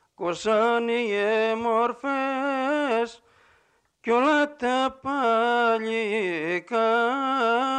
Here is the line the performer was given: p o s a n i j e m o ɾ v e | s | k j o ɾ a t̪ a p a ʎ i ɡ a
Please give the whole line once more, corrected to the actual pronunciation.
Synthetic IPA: k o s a n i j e m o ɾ f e | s | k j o l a t̪ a p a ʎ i k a